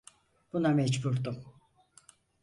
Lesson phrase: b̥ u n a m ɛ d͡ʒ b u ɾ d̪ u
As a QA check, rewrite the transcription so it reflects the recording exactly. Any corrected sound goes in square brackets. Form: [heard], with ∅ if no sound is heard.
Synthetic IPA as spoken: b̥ u n a m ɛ d͡ʒ b u ɾ d̪ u